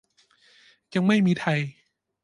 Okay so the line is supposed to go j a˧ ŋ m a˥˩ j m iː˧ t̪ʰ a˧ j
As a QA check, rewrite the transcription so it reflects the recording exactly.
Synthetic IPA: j a˧ ŋ m a˥˩ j m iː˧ t̪ʰ a˧ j